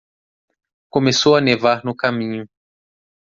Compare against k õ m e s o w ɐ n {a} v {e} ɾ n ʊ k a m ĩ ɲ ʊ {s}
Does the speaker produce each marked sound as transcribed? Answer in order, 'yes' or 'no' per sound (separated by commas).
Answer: no, no, no